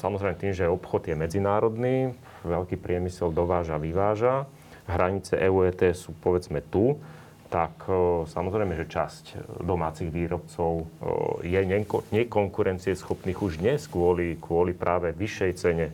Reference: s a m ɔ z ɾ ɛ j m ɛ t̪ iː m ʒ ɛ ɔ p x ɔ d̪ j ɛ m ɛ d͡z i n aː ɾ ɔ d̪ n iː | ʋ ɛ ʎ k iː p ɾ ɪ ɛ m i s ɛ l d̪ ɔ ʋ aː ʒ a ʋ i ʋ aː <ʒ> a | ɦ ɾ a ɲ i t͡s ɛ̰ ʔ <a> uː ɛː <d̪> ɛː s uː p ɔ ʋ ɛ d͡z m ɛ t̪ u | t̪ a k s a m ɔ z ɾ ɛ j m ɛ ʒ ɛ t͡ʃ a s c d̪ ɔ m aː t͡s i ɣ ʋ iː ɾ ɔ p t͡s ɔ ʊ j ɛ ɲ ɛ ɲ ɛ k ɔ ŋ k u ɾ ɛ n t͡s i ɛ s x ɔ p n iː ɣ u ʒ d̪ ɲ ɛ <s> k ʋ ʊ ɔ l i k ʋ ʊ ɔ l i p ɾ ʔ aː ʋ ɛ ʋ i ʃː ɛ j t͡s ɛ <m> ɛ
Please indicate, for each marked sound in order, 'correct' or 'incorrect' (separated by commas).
correct, incorrect, incorrect, correct, incorrect